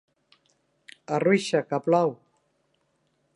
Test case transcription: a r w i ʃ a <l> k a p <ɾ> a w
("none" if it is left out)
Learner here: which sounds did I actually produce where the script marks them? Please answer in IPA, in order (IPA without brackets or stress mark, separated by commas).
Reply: none, l